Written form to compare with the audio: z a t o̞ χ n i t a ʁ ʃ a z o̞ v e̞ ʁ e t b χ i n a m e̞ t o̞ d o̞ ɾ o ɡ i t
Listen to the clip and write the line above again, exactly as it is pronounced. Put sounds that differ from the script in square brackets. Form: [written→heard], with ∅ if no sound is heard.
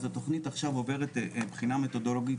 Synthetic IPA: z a t o̞ χ n i t a [ʁ→χ] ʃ a [z→v] o̞ v e̞ ʁ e t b χ i n a m e̞ t o̞ d o̞ [ɾ→l] o ɡ i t